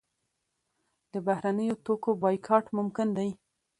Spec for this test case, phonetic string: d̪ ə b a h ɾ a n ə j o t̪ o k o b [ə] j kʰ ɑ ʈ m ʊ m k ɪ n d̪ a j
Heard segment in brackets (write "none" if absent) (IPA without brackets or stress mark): ɑ